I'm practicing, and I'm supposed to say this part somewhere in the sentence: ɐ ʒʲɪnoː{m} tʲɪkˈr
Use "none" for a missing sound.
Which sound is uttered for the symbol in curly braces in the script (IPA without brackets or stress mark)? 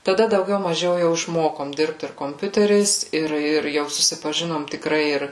m